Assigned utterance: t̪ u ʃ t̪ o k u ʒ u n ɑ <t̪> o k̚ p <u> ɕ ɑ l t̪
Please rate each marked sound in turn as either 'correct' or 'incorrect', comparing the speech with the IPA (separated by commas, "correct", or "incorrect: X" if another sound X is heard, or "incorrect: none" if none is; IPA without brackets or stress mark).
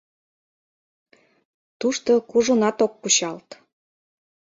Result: correct, correct